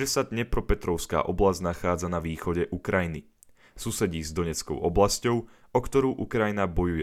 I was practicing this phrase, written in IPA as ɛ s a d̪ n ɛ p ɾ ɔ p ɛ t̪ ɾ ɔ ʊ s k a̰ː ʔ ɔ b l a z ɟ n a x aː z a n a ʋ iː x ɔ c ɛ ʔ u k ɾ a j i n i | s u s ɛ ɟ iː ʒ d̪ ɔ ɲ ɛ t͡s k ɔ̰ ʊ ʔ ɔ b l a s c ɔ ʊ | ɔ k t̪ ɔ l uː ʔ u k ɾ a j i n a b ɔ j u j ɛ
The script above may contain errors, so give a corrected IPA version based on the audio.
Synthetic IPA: ɛ s a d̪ ɲ ɛ p ɾ ɔ p ɛ t̪ ɾ ɔ ʊ s k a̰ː ʔ ɔ b l a z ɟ n a x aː d͡z a n a ʋ iː x ɔ ɟ ɛ ʔ u k ɾ a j i n i | s u s ɛ ɟ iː z d̪ ɔ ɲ ɛ t͡s k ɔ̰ ʊ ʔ ɔ b l a s c ɔ ʊ | ɔ k t̪ ɔ ɾ uː ʔ u k ɾ a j i n a b ɔ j u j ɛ